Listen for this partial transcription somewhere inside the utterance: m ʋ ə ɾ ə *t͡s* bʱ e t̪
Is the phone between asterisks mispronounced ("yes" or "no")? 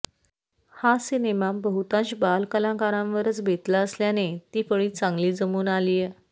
no